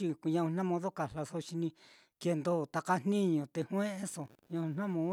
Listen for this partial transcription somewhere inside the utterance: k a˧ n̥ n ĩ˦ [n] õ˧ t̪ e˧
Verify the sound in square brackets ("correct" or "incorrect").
incorrect